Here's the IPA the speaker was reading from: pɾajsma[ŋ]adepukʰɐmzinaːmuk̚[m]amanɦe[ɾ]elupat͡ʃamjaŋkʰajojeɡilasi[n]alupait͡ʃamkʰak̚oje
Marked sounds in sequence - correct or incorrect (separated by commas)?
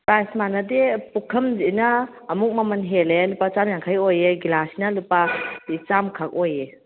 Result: incorrect, correct, incorrect, correct